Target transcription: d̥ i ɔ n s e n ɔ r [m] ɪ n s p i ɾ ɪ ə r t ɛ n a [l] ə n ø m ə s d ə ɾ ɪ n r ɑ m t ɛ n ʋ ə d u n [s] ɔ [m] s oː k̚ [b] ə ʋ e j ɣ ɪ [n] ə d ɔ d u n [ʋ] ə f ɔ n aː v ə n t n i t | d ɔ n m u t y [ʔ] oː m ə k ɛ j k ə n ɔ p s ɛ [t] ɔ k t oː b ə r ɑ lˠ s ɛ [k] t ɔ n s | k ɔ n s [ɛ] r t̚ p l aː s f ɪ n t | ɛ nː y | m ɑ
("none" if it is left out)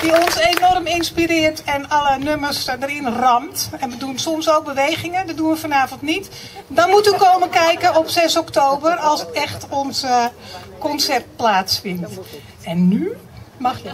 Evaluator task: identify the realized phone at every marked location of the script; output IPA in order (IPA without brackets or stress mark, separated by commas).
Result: m, l, s, m, b, ŋ, ʋ, k, s, x, ɛ